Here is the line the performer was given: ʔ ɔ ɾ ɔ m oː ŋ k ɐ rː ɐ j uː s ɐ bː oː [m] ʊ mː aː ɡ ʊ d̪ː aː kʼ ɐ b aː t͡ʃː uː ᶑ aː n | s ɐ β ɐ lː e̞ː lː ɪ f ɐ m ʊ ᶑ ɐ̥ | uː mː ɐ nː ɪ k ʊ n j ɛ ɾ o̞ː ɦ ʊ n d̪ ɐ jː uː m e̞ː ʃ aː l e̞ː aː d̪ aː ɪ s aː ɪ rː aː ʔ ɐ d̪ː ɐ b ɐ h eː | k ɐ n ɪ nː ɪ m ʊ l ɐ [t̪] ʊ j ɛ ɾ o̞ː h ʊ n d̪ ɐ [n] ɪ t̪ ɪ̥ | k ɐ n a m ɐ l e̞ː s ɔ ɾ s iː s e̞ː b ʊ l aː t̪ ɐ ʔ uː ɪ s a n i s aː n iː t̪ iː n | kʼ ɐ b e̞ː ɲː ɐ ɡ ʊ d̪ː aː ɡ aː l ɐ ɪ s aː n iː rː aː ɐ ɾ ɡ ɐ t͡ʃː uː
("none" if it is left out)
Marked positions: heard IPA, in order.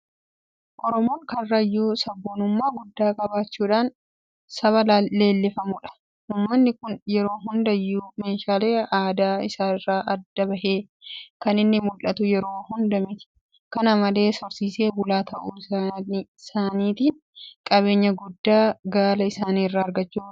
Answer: n, t̪, m

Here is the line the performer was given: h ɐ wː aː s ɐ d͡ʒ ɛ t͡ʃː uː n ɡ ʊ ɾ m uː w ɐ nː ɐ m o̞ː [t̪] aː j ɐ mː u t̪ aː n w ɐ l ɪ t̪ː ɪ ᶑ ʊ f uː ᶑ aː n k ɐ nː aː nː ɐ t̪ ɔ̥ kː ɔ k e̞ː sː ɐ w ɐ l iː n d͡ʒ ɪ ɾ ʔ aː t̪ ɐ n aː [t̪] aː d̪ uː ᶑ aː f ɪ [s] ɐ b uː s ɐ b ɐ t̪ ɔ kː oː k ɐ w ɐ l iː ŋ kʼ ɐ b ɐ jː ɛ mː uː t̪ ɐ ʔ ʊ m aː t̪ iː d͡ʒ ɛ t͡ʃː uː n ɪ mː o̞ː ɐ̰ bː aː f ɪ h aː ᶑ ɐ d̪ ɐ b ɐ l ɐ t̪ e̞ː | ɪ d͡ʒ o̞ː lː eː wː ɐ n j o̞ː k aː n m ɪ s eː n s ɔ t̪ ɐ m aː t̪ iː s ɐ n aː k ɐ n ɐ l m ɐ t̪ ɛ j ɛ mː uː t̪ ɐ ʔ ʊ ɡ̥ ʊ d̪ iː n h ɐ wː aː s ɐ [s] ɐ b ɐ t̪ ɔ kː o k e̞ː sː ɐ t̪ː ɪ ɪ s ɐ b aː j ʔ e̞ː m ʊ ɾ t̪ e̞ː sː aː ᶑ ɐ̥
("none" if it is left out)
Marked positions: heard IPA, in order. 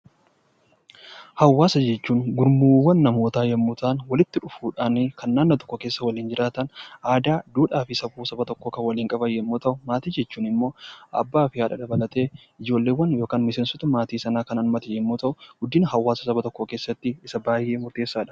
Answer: t̪, d̪, s, s

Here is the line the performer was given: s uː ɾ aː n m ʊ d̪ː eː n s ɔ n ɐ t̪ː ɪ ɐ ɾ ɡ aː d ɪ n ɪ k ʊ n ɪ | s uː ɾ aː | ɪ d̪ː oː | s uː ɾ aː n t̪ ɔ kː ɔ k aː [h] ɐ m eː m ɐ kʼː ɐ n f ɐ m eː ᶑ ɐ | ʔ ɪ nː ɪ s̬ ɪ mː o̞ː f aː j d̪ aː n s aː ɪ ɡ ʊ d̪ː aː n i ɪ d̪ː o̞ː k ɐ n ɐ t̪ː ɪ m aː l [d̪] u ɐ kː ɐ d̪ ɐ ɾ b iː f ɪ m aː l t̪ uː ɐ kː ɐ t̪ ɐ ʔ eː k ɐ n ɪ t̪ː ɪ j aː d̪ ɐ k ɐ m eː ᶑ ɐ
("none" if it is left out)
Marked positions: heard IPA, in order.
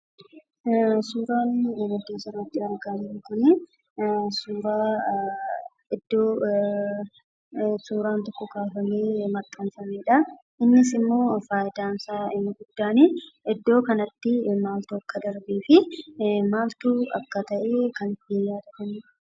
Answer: f, t̪

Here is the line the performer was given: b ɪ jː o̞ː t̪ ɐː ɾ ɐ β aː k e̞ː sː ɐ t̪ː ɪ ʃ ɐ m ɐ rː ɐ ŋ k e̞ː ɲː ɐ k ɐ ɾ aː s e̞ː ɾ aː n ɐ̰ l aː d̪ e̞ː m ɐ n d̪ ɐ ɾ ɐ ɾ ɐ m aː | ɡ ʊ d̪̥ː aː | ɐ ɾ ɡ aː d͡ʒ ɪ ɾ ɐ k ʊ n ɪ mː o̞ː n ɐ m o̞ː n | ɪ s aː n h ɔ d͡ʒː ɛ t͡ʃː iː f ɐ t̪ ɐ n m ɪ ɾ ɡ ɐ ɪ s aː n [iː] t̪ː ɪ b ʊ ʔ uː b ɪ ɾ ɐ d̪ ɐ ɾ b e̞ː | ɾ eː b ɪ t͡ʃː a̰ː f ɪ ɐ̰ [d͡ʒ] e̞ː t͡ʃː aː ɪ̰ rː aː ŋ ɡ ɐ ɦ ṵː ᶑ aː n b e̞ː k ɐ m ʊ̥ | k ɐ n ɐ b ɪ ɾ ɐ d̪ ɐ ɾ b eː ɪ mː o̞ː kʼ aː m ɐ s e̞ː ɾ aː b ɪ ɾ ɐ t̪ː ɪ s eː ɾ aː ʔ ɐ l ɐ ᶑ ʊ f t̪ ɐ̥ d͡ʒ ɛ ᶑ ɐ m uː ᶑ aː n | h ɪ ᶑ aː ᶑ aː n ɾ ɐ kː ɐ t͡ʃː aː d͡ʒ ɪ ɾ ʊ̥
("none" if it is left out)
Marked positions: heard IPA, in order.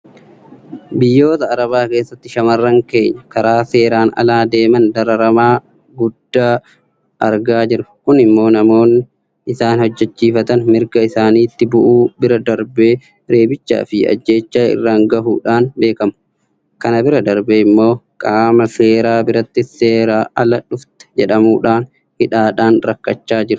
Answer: iː, d͡ʒː

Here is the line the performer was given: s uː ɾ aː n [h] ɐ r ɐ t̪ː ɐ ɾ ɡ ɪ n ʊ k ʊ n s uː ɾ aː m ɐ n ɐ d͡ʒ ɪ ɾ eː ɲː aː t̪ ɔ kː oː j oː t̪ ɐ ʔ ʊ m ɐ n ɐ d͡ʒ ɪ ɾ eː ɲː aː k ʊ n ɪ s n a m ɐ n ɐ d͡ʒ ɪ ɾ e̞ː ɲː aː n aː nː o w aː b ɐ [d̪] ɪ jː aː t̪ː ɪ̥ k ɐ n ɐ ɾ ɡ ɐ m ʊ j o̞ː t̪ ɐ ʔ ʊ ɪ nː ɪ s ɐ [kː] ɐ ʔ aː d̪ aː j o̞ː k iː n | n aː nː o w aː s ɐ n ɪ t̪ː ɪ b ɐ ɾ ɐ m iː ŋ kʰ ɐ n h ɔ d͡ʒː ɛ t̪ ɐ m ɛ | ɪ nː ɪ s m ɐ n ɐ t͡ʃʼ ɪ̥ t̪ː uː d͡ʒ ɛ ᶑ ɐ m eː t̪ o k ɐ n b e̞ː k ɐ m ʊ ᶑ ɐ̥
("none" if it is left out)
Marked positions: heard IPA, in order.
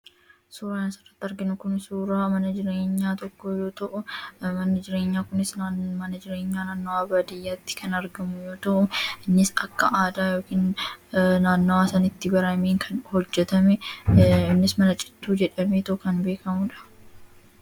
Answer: s, d̪, kː

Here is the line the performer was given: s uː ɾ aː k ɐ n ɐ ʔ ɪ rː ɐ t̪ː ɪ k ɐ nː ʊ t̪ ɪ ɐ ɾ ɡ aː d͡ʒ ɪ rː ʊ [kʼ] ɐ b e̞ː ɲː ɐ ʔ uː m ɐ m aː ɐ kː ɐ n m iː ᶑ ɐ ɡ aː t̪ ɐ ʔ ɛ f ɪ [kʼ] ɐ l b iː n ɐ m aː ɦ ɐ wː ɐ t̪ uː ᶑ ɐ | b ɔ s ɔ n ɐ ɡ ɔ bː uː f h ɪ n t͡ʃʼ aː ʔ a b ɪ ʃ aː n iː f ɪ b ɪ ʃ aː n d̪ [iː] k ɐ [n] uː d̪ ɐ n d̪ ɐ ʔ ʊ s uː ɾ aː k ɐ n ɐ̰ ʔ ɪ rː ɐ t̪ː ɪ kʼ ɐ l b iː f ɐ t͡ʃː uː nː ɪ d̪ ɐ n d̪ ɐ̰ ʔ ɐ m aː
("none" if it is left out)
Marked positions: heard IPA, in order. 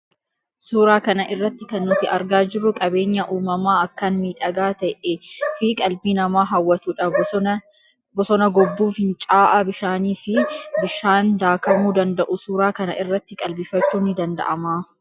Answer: kʼ, kʼ, aː, m

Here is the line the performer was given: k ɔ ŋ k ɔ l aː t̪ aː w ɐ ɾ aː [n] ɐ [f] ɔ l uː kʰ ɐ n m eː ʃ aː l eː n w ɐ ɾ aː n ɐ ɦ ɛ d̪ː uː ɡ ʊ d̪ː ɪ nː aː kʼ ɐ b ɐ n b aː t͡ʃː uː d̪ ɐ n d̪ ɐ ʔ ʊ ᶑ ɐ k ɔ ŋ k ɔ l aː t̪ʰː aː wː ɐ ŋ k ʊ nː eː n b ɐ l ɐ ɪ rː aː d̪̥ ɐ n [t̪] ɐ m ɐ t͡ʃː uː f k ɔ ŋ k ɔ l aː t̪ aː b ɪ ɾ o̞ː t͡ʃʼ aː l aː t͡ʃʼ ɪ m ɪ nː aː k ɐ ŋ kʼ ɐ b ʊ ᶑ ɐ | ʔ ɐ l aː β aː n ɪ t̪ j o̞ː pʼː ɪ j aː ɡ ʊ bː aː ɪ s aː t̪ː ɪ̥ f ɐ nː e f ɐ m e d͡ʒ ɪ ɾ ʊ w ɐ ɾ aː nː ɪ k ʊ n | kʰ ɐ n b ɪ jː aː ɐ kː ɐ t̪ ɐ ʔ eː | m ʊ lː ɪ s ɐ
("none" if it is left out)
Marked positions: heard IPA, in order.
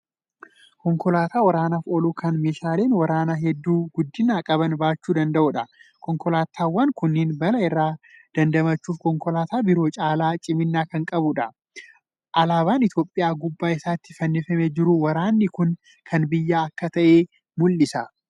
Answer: n, f, d̪

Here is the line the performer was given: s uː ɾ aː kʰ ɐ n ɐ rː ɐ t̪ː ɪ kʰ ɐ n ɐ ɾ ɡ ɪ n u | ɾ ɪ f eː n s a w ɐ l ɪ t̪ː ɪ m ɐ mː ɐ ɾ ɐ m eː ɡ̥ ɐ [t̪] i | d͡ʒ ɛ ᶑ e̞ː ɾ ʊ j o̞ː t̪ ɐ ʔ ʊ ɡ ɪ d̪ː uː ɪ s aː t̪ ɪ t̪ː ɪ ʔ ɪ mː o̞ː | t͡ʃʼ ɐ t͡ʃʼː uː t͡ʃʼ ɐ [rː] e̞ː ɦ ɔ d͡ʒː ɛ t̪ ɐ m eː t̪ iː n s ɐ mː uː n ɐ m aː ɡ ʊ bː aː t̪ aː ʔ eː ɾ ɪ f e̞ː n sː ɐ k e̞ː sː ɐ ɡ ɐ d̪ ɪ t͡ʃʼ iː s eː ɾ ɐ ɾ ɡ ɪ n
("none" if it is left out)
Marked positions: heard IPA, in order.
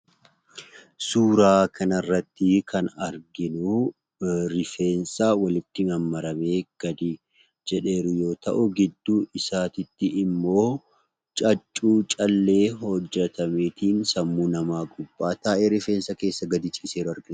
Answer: d̪, lː

